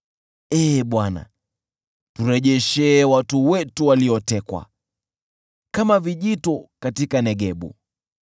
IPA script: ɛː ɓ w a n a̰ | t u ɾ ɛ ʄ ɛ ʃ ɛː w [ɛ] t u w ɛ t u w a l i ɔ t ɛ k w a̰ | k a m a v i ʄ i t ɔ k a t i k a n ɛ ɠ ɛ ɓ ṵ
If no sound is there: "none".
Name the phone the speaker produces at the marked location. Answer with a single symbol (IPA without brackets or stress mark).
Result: a